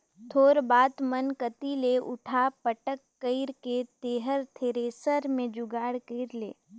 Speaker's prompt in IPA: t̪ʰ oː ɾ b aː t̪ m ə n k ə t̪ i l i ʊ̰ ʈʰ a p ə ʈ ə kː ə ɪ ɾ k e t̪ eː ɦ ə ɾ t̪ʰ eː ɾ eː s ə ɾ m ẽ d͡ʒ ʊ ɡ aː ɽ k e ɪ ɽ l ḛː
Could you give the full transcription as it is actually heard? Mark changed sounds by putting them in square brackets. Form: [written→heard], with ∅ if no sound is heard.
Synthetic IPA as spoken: t̪ʰ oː ɾ b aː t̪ m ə n k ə t̪ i l [i→e] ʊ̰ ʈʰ a p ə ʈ ə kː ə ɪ ɾ k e t̪ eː ɦ ə ɾ t̪ʰ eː ɾ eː s ə ɾ m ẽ d͡ʒ ʊ ɡ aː ɽ k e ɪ [ɽ→ɾ] l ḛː